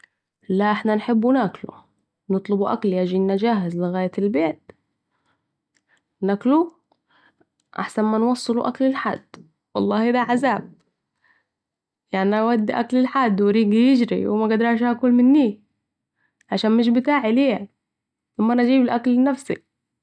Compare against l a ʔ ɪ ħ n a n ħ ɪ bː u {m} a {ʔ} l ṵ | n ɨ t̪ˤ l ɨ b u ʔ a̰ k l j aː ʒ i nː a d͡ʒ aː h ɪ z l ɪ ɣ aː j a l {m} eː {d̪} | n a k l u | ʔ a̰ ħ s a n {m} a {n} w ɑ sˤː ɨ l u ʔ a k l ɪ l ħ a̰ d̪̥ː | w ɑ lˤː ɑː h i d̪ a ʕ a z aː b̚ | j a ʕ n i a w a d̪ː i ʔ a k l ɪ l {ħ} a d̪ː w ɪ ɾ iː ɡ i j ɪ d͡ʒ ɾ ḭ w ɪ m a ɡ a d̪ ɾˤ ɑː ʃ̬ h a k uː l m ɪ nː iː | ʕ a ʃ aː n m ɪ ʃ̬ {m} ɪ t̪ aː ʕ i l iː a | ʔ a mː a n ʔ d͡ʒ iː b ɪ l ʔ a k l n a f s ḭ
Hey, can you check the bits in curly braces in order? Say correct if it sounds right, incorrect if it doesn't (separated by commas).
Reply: incorrect, incorrect, incorrect, incorrect, correct, correct, correct, incorrect